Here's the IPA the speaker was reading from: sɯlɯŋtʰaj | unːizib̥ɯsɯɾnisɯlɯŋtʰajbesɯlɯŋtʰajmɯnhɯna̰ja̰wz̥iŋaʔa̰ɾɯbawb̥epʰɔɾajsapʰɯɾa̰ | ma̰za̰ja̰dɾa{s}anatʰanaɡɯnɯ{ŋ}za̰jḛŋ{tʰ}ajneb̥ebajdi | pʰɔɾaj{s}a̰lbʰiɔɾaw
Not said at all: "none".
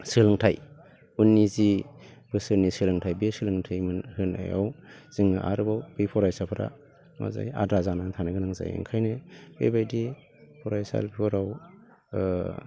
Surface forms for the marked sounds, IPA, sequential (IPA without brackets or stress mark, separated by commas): z, ŋ, kʰ, s